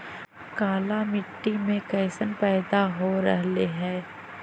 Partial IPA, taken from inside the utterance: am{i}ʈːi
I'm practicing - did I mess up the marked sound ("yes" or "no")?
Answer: yes